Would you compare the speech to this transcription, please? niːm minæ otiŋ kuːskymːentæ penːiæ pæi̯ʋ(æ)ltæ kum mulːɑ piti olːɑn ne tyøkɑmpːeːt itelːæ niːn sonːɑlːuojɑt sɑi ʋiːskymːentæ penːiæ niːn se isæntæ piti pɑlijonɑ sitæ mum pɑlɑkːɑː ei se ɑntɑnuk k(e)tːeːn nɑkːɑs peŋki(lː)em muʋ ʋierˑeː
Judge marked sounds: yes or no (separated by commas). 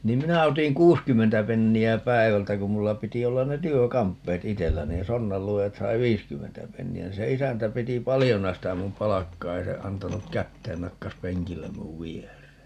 yes, no, yes